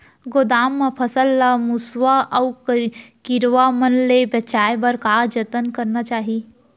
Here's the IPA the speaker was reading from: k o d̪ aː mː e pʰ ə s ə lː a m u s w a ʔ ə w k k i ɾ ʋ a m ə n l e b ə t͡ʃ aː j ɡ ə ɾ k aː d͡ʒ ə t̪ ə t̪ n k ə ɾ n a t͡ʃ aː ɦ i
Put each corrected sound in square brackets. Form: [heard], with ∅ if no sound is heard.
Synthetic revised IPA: [ɡ] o d̪ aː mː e pʰ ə s ə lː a m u s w a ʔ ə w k k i ɾ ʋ a m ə n l e b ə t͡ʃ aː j [b] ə ɾ k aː d͡ʒ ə t̪ ə [∅] n k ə ɾ n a t͡ʃ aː ɦ i